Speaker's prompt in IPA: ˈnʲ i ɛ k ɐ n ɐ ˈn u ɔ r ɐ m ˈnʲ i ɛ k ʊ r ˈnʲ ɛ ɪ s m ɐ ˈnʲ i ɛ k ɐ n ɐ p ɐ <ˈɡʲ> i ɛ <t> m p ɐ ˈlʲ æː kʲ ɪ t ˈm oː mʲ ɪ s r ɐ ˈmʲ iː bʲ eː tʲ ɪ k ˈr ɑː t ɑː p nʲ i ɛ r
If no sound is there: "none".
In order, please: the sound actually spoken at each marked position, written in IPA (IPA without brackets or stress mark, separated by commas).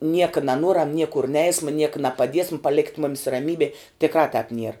dʲ, s